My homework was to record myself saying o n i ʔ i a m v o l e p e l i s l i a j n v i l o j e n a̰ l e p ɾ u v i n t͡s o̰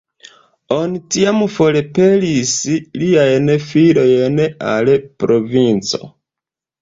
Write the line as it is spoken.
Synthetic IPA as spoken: o n i t i a m f o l e p e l i s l i a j n f i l o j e n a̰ l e p ɾ o v i n t͡s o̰

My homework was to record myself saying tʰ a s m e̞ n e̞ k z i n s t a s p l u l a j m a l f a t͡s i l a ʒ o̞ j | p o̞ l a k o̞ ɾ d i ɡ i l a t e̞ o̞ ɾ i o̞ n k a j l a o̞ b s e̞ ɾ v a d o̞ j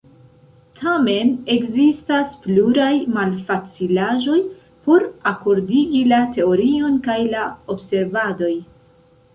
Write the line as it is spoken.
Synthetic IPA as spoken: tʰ a m e̞ n e̞ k z i s t a s p l u ɾ a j m a l f a t͡s i l a ʒ o̞ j | p o̞ ɾ a k o̞ ɾ d i ɡ i l a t e̞ o̞ ɾ i o̞ n k a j l a o̞ b s e̞ ɾ v a d o̞ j

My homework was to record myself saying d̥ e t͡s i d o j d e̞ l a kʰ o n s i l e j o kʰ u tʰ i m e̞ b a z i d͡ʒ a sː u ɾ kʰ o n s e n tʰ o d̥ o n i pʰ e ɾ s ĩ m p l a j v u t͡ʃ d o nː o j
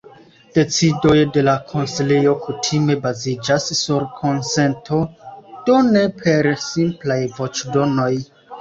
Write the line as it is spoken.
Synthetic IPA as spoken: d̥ e t͡s i d o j d e̞ l a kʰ o n s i l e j o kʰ u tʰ i m e̞ b a z i d͡ʒ a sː u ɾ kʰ o n s e n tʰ o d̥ o n e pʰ e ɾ s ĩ m p l a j v o t͡ʃ d o n o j

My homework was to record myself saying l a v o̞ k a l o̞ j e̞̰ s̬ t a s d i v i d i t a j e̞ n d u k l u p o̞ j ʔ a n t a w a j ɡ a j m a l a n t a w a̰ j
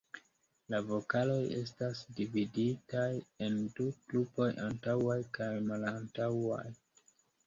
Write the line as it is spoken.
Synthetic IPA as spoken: l a v o̞ k a l o̞ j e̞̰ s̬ t a s d i v i d i t a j e̞ n d u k l u p o̞ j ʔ a n t a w a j k a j m a l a n t a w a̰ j

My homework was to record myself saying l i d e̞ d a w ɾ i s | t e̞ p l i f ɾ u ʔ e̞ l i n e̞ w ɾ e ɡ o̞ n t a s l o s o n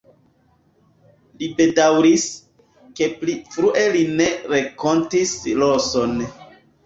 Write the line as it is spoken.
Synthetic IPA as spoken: l i b e̞ d a w ɾ i s | k e̞ p l i f ɾ u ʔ e̞ l i n e̞ ɾ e k o̞ n t i s l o s o n

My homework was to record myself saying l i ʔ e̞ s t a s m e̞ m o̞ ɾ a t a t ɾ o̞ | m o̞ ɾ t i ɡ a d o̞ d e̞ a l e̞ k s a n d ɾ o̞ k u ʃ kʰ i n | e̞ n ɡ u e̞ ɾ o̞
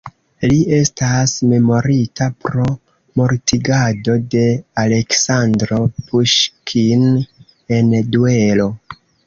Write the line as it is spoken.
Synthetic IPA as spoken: l i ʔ e̞ s t a s m e̞ m o̞ ɾ i t a p ɾ o̞ | m o̞ ɾ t i ɡ a d o̞ d e̞ a l e̞ k s a n d ɾ o̞ p u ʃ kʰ i n | e̞ n d u e̞ l o̞

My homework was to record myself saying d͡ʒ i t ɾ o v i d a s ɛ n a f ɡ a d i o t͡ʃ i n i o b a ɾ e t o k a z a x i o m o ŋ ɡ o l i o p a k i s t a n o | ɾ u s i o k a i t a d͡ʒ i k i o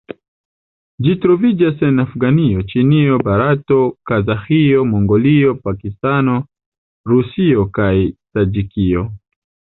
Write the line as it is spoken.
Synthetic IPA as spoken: d͡ʒ i t ɾ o v i d͡ʒ a s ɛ n a f ɡ a n i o t͡ʃ i n i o b a ɾ a t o k a z a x i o m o ŋ ɡ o l i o p a k i s t a n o | ɾ u s i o k a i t a d͡ʒ i k i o

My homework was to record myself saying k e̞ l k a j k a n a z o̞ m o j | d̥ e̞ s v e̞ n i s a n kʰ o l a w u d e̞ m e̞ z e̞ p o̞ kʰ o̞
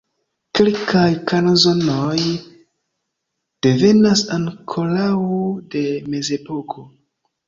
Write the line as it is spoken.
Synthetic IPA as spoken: k e̞ l k a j k a n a z o̞ n o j | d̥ e̞ v e̞ n a s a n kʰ o l a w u d e̞ m e̞ z e̞ p o̞ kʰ o̞

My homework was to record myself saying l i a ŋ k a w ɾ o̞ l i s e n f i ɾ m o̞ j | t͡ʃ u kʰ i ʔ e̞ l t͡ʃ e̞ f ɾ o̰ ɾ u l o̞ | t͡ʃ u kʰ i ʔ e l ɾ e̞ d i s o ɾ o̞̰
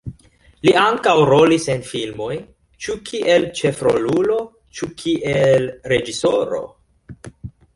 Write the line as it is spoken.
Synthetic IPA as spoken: l i a ŋ k a w ɾ o̞ l i s e n f i l m o̞ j | t͡ʃ u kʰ i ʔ e̞ l t͡ʃ e̞ f ɾ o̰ l u l o̞ | t͡ʃ u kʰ i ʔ e l ɾ e̞ d͡ʒ i s o ɾ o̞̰

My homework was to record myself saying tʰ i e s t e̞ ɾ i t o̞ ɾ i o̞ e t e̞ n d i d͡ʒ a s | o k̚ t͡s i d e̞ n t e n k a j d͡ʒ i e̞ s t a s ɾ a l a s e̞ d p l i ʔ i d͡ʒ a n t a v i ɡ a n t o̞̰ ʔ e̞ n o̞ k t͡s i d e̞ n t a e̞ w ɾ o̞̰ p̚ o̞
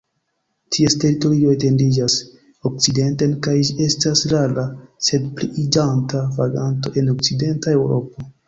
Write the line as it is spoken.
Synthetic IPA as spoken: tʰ i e s t e̞ ɾ i t o̞ ɾ i o̞ e t e̞ n d i d͡ʒ a s | o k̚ t͡s i d e̞ n t e n k a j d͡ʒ i e̞ s t a s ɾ a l a s e̞ d p l i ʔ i d͡ʒ a n t a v a ɡ a n t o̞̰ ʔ e̞ n o̞ k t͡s i d e̞ n t a e̞ w ɾ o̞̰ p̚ o̞

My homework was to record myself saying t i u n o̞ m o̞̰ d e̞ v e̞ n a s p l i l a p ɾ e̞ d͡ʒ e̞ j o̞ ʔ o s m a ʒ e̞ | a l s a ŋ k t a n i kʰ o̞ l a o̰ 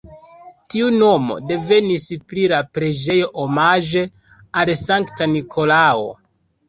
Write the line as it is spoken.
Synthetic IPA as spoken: t i u n o̞ m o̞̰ d e̞ v e̞ n i s p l i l a p ɾ e̞ d͡ʒ e̞ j o̞ ʔ o m a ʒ e̞ | a l s a ŋ k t a n i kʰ o̞ l a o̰

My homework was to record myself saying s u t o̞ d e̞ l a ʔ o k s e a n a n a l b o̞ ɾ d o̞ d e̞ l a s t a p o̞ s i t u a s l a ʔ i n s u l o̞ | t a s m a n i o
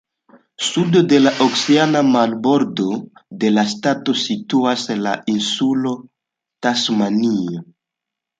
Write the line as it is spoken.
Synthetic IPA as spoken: s u d o̞ d e̞ l a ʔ o k s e a n a m a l b o̞ ɾ d o̞ d e̞ l a s t a t o̞ s i t u a s l a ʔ i n s u l o̞ | t a s m a n i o

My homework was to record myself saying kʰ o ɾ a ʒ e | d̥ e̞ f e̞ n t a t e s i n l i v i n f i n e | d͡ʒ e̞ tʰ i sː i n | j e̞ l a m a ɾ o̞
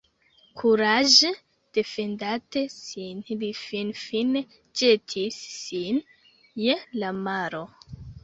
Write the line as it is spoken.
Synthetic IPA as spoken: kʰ u ɾ a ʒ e | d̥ e̞ f e̞ n d a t e s i n l i f i n f i n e | d͡ʒ e̞ tʰ i sː i n | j e̞ l a m a ɾ o̞

